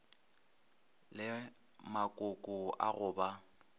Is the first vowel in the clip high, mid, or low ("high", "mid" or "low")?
high